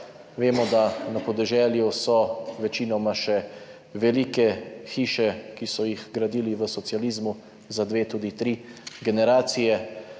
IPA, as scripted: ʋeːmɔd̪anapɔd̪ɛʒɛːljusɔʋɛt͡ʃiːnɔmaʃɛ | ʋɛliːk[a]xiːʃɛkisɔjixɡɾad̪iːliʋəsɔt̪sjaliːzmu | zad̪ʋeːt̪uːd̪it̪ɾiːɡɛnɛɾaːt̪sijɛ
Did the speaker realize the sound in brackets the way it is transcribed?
no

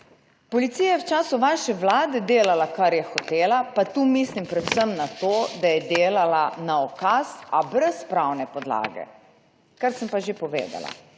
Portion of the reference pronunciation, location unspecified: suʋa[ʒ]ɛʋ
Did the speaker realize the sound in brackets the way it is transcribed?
no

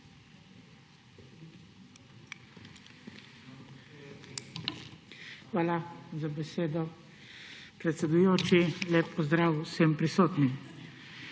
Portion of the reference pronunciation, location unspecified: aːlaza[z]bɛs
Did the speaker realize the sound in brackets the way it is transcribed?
no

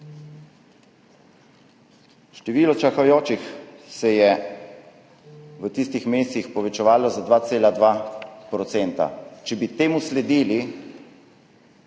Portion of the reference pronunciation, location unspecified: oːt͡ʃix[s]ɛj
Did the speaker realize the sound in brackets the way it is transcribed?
yes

